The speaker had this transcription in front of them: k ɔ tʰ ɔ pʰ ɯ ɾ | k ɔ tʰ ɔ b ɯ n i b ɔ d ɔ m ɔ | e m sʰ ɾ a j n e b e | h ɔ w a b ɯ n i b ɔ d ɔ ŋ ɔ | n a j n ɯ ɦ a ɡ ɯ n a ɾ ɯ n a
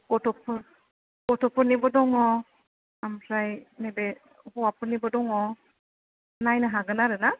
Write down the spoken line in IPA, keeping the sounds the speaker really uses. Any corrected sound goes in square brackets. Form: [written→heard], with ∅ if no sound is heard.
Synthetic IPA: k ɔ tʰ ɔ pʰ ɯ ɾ | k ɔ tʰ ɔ [b→p] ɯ n i b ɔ d ɔ [m→ŋ] ɔ | [e→a] m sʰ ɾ a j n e b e | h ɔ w a [b→p] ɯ n i b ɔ d ɔ ŋ ɔ | n a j n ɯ ɦ a ɡ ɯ n a ɾ ɯ n a